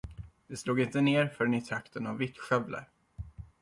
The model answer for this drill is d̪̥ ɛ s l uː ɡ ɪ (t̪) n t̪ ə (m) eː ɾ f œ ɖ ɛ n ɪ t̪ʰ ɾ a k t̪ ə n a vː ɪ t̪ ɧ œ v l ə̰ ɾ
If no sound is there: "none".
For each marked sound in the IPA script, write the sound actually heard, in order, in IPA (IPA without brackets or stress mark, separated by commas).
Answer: none, n